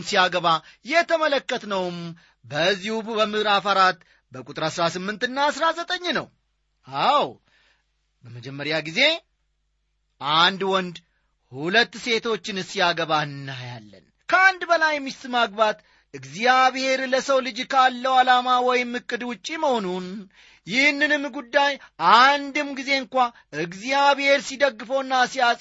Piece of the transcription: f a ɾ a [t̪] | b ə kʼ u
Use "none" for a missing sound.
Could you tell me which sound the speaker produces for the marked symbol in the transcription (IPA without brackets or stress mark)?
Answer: t̪